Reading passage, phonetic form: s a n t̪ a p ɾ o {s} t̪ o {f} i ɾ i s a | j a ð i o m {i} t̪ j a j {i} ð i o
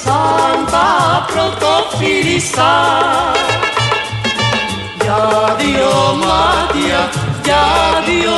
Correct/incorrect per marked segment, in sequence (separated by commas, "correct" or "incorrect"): incorrect, correct, incorrect, incorrect